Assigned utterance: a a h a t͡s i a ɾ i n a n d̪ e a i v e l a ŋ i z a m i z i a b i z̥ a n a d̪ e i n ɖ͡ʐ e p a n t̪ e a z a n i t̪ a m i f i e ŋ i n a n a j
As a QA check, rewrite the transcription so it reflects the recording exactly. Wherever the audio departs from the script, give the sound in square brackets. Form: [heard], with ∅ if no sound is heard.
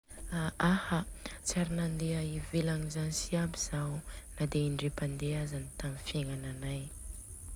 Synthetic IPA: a a h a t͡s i a ɾ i n a n d̪ e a i v e l a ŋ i z a [n] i [s] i a b i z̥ a n a d̪ e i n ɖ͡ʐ e p a n [d̪] e a z a n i t̪ a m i f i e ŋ [a] n a n a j